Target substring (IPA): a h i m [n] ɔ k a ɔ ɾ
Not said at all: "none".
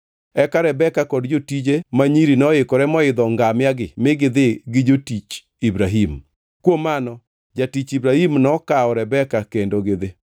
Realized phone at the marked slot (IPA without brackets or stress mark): n